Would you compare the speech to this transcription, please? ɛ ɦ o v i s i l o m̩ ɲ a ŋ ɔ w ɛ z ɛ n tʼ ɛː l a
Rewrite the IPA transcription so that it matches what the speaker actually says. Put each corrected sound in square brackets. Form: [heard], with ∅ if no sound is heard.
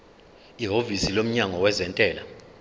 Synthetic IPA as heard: [i] ɦ o v i s i l o m̩ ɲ a ŋ ɔ w ɛ z ɛ n tʼ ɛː l a